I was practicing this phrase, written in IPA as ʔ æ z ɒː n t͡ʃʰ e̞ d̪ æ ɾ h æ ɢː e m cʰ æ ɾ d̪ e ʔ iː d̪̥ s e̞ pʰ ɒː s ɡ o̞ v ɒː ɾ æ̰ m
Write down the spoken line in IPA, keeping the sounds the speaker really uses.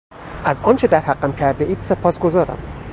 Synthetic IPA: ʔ æ z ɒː n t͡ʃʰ e̞ d̪ æ ɾ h æ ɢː æ m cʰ æ ɾ d̪ e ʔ iː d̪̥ s e̞ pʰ ɒː s ɡ o̞ z ɒː ɾ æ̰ m